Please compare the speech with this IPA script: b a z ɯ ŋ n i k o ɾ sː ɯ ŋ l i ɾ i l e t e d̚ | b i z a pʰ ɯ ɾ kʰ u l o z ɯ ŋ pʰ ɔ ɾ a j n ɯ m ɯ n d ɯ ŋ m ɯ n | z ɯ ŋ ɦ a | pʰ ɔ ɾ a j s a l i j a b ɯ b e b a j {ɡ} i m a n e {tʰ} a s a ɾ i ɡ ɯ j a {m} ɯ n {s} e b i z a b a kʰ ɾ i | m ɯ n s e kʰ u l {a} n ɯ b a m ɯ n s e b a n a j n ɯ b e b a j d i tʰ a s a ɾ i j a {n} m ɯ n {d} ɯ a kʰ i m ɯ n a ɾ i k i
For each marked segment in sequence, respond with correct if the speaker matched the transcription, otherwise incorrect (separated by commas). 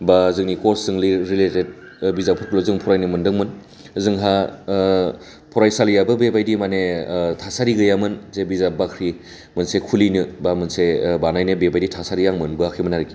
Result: incorrect, correct, correct, incorrect, incorrect, incorrect, incorrect